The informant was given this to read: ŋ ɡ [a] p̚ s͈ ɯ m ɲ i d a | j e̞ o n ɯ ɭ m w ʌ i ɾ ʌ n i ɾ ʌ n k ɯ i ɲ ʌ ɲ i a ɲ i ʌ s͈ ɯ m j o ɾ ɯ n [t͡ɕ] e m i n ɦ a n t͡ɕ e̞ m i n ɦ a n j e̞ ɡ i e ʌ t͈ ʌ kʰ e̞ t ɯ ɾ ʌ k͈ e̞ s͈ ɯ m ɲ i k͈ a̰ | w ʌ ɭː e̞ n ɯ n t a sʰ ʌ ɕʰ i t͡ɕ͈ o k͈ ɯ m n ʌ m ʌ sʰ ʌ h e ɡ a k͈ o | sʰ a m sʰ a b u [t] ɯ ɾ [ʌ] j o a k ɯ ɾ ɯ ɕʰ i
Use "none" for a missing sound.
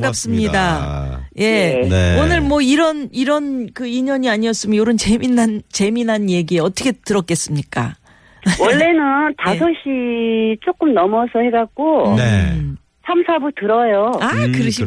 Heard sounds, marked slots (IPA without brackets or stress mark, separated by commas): a, t͡ɕ, t, ʌ